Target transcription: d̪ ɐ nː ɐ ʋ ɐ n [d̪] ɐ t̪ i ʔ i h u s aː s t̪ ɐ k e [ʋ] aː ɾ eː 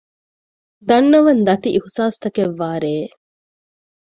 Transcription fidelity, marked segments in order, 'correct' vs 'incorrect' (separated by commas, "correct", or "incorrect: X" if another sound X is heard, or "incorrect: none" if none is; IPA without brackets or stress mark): correct, incorrect: ʋː